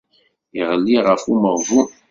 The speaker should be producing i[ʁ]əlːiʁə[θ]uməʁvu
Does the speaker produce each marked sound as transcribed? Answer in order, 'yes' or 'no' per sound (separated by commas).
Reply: yes, no